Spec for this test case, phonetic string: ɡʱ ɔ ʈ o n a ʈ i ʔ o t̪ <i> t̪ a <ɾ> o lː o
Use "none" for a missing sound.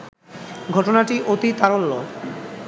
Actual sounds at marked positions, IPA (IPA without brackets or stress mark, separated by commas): i, ɾ